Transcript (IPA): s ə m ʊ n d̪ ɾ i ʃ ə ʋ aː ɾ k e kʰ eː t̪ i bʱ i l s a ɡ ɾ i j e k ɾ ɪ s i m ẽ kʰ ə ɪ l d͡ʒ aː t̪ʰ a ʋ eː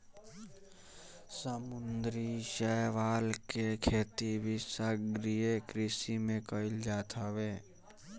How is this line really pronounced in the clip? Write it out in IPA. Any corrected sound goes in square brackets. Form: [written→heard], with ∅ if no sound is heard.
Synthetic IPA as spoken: s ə m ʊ n d̪ ɾ i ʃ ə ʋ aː [ɾ→l] k e kʰ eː t̪ i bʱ i [l→∅] s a ɡ ɾ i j e k ɾ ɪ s i m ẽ [kʰ→k] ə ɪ l d͡ʒ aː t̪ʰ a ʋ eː